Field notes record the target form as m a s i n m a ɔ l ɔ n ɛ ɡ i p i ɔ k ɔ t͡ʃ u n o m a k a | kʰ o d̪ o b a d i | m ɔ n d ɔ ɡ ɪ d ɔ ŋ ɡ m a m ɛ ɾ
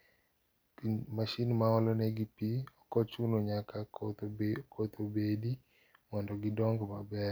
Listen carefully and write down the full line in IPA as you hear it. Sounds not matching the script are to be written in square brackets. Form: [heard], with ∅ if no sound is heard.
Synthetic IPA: m a [ʃ] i n m a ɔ l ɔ n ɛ ɡ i p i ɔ k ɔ t͡ʃ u n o [ɲ] a k a | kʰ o [t̪] o b [e] d i | m ɔ n d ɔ ɡ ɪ d ɔ ŋ ɡ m a [b] ɛ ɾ